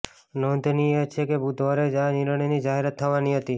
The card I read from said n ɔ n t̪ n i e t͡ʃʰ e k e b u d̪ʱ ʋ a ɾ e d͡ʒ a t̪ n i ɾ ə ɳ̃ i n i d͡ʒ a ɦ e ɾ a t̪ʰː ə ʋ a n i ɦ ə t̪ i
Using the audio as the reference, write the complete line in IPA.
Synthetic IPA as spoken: n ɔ n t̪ n i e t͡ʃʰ e k e b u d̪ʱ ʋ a ɾ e d͡ʒ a n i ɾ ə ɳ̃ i n i d͡ʒ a ɦ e ɾ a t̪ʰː ə ʋ a n i ɦ ə t̪ i